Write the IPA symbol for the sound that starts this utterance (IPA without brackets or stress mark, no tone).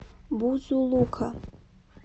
b